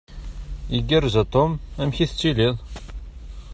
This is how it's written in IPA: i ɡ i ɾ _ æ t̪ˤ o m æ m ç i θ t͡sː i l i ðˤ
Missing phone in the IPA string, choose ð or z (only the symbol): z